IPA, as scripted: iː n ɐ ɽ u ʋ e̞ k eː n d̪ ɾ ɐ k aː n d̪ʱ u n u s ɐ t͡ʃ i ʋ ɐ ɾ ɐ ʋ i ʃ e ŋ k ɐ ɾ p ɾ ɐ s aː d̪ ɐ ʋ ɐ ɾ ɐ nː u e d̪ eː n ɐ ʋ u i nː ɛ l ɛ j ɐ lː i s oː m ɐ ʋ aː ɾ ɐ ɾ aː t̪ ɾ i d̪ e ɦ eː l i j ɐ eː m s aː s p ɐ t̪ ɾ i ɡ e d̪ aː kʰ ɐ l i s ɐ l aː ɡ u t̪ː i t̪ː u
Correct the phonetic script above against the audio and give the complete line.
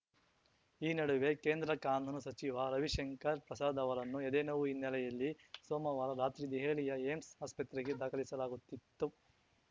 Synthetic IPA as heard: iː n ɐ ɽ u ʋ e̞ k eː n d̪ ɾ ɐ k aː n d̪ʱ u n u s ɐ t͡ʃ i ʋ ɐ ɾ ɐ ʋ i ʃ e ŋ k ɐ ɾ p ɾ ɐ s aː d̪ ɐ ʋ ɐ ɾ ɐ nː u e d̪ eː n ɐ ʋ u i nː ɛ l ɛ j ɐ lː i s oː m ɐ ʋ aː ɾ ɐ ɾ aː t̪ ɾ i d̪ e ɦ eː l i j ɐ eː m s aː s p ɐ t̪ ɾ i ɡ e d̪ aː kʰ ɐ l i s ɐ l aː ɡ u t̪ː i t̪ː u